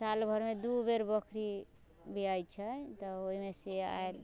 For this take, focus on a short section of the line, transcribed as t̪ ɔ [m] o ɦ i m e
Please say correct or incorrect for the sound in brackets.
incorrect